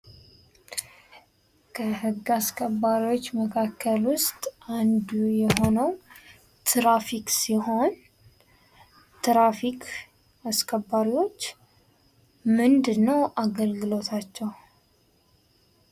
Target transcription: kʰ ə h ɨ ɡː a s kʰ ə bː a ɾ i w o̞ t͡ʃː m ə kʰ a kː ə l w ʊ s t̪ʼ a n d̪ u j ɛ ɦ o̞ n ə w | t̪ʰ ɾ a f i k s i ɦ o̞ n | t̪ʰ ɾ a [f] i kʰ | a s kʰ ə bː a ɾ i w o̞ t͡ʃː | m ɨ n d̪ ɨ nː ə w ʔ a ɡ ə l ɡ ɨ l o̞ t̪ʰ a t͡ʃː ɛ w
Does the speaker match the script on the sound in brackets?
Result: yes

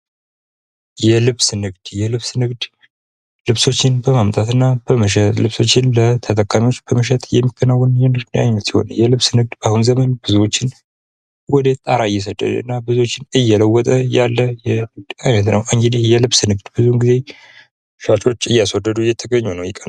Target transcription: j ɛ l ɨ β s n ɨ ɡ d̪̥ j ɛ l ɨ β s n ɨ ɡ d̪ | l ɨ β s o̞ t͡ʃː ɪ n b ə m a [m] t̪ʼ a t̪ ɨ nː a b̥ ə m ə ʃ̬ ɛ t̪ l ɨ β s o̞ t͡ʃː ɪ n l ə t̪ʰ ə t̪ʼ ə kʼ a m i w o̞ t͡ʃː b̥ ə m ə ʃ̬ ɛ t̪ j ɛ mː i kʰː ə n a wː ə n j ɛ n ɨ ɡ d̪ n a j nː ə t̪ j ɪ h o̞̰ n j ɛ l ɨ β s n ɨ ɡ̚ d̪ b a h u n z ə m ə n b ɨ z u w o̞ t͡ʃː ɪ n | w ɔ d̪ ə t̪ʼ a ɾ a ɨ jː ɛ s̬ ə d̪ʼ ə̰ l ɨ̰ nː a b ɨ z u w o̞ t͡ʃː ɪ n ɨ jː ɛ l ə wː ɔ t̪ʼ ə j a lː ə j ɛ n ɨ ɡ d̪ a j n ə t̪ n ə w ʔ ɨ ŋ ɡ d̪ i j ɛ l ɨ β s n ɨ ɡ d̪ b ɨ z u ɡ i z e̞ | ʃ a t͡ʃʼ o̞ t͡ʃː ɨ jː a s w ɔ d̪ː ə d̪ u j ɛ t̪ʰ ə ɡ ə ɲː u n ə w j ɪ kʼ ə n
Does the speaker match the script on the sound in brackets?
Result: yes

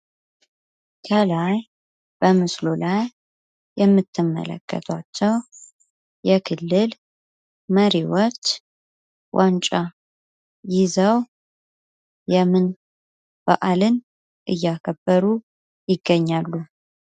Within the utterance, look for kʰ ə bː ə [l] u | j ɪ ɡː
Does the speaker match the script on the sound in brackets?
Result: no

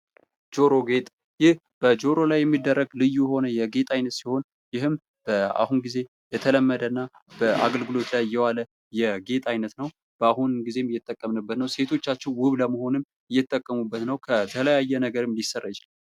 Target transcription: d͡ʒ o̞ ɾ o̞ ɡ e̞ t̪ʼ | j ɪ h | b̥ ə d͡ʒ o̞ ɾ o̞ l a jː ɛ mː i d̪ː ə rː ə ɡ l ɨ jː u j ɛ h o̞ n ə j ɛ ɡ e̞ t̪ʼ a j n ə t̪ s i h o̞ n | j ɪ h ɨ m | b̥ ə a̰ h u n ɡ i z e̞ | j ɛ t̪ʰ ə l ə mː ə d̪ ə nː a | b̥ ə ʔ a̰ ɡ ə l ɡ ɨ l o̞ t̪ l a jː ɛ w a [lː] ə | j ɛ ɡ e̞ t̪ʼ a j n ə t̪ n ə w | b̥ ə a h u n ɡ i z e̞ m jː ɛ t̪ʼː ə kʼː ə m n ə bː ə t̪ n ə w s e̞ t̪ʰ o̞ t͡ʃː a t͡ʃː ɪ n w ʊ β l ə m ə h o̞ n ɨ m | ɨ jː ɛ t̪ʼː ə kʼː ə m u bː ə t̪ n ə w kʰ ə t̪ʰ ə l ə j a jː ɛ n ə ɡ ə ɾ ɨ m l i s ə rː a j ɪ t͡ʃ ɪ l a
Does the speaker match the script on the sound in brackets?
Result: no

